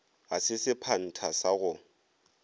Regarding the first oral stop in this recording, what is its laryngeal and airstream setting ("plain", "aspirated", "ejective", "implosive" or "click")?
aspirated